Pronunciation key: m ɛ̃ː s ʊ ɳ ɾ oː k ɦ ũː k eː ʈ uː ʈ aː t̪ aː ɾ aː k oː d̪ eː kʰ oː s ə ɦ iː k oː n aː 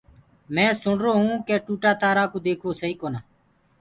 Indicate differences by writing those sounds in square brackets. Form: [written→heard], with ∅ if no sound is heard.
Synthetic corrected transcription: m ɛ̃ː s ʊ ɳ ɾ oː [k→∅] ɦ ũː k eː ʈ uː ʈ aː t̪ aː ɾ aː k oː d̪ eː kʰ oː s ə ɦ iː k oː n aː